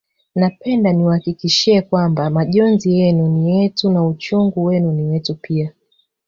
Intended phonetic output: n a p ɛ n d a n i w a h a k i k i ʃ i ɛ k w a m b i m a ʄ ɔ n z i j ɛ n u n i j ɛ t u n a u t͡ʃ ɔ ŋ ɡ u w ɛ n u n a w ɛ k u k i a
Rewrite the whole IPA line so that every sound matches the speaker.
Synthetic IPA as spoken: n a p ɛ n d a n i w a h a k i k i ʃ i ɛ k w a m b a m a ʄ ɔ n z i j ɛ n u n i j ɛ t u n a u t͡ʃ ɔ ŋ ɡ u w ɛ n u n i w ɛ t u p i a